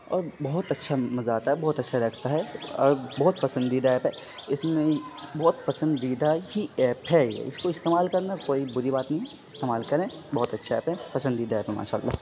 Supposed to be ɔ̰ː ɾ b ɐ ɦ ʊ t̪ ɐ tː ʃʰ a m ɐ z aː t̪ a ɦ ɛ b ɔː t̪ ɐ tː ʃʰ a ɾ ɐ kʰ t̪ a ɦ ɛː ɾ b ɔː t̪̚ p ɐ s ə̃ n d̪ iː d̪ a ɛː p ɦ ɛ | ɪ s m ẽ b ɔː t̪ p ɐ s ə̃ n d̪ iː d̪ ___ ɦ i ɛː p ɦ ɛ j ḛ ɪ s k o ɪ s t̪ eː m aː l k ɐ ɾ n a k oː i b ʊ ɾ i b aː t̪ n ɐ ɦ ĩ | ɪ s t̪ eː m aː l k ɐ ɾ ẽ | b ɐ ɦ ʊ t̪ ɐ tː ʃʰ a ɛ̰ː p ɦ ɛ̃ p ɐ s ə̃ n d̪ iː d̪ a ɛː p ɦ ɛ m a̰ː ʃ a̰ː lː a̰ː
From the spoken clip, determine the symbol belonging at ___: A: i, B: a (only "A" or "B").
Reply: B